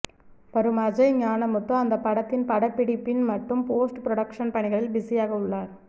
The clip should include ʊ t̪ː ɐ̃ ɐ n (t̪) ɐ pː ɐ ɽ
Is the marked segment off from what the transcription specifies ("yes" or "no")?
yes